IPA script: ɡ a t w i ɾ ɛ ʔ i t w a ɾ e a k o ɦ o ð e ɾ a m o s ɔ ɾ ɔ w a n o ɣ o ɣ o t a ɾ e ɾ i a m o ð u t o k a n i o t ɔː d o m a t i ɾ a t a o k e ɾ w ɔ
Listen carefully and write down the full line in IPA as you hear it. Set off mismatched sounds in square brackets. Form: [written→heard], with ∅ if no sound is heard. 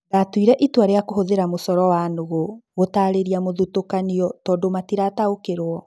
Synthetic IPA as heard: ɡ a t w i ɾ ɛ ʔ i t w a ɾ e a k o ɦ o ð e ɾ a m o s ɔ ɾ ɔ w a n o ɣ o ɣ o t a ɾ e ɾ i a m o ð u t o k a n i [o→ɔ] t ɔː d o m a t i ɾ a t a o k e ɾ w ɔ